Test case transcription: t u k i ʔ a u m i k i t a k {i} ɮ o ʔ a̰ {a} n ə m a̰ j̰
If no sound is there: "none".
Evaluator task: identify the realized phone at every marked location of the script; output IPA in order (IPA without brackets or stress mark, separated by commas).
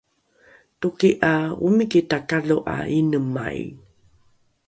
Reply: a, i